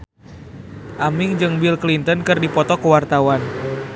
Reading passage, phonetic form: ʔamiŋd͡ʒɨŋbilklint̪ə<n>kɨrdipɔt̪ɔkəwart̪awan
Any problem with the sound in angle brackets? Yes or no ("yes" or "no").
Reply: no